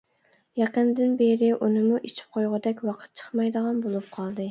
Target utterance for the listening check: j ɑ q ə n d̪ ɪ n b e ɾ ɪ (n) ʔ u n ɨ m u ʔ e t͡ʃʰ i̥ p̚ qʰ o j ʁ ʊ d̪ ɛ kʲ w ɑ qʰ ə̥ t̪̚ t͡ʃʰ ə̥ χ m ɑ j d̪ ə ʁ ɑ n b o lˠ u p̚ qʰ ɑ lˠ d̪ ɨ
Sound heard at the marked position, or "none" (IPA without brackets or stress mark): none